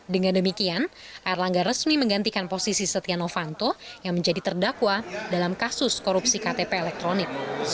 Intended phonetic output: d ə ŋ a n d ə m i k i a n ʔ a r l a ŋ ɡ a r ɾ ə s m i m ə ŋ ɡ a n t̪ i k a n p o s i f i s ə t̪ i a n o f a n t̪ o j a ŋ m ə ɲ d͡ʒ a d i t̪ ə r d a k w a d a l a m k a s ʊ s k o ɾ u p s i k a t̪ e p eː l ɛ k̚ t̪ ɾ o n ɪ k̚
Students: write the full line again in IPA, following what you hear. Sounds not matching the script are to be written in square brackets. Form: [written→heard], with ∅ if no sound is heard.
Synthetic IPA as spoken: d ə ŋ a n d ə m i k i a n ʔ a r l a ŋ ɡ a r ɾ ə s m i m ə ŋ ɡ a n t̪ i k a n p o s i [f→s] i s ə t̪ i a n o f a n t̪ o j a ŋ m ə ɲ d͡ʒ a d i t̪ ə r d a k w a d a l a m k a s ʊ s k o ɾ u p s i k a t̪ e p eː l ɛ k̚ t̪ ɾ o n ɪ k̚